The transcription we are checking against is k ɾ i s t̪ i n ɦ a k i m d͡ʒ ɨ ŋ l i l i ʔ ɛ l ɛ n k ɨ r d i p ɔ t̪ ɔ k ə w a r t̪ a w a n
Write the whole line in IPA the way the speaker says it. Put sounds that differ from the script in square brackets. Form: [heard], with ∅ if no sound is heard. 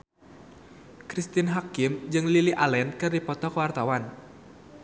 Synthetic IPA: k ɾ i s t̪ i n ɦ a k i m d͡ʒ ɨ ŋ l i l i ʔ [a] l ɛ n k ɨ r d i p ɔ t̪ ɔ k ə w a r t̪ a w a n